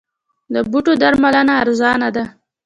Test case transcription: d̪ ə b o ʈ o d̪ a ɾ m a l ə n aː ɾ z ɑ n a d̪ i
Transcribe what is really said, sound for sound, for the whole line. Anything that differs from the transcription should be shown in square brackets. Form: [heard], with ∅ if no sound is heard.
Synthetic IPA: d̪ ə b [u] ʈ o d̪ a ɾ m a l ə n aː ɾ z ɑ n a d̪ [a]